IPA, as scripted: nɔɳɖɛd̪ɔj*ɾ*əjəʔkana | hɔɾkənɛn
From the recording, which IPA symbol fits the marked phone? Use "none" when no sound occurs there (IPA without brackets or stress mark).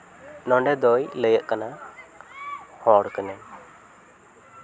l